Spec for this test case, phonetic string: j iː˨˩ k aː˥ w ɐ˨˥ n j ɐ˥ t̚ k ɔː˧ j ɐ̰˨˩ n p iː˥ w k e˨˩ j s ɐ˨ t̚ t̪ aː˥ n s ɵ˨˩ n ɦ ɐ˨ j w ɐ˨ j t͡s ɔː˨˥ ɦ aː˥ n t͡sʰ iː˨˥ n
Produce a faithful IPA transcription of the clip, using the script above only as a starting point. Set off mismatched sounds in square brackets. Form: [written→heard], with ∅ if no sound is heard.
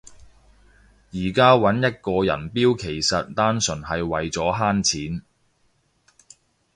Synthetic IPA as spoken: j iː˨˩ k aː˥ w ɐ˨˥ n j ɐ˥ t̚ k ɔː˧ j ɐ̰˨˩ n p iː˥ w [k→kʰ] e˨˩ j s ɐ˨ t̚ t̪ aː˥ n s ɵ˨˩ n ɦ ɐ˨ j w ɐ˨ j t͡s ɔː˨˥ ɦ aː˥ n t͡sʰ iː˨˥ n